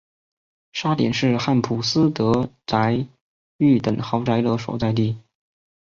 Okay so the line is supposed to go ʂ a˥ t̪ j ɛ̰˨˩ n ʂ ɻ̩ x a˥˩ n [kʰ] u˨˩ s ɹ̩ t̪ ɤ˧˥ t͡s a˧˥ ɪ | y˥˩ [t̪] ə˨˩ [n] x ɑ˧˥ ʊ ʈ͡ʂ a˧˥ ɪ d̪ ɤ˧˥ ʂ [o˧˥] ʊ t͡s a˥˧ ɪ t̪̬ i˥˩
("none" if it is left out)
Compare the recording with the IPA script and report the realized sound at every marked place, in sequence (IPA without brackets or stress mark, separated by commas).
pʰ, t̪, ŋ, o˨˩